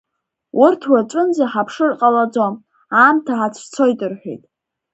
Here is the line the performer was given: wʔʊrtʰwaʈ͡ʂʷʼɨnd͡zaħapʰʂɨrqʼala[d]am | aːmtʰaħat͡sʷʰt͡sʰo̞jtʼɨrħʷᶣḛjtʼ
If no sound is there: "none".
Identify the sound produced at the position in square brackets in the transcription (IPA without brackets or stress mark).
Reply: d͡z